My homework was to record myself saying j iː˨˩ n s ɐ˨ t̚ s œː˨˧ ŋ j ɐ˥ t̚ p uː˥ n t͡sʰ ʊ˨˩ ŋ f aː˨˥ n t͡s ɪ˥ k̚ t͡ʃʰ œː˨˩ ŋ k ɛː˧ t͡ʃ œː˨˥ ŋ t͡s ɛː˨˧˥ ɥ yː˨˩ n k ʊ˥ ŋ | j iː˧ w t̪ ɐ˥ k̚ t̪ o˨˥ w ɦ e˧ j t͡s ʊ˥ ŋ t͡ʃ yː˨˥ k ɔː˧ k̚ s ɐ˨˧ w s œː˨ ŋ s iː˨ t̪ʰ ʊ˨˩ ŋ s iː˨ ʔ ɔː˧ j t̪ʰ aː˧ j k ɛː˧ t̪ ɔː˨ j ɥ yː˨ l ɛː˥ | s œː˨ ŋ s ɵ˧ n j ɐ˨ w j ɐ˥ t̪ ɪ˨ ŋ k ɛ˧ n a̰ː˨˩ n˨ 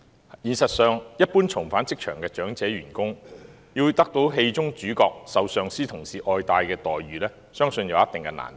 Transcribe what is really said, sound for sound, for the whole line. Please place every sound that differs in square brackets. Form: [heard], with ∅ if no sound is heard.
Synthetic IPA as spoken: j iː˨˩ n s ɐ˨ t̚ s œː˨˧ ŋ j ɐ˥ t̚ p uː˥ n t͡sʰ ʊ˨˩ ŋ f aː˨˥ n t͡s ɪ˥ k̚ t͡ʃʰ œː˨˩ ŋ k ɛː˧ t͡ʃ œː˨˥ ŋ t͡s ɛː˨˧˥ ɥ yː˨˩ n k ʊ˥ ŋ | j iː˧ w t̪ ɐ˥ k̚ t̪ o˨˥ w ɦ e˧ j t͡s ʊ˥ ŋ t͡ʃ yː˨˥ k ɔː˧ k̚ s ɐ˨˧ w s œː˨ ŋ s [iː˥] t̪ʰ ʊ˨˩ ŋ s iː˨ ʔ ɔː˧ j [t̪] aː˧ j k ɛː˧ t̪ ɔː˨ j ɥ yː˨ l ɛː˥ | s [œː˥] ŋ s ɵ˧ n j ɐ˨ w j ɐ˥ t̪ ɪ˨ ŋ k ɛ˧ n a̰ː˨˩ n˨